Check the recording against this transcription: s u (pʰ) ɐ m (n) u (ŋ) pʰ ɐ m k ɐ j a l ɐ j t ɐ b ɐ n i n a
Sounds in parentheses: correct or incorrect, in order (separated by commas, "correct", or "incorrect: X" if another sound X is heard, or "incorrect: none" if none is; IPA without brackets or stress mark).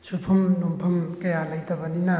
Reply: correct, correct, incorrect: m